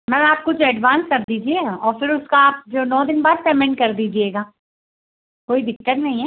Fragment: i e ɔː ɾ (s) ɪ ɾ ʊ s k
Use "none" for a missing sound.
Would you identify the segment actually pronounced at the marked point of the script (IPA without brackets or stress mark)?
f